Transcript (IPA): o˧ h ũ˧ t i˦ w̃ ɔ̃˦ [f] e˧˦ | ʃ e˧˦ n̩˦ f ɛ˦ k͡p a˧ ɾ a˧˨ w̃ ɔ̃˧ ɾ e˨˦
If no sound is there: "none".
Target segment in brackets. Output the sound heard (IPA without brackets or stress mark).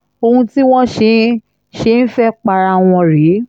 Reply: ʃ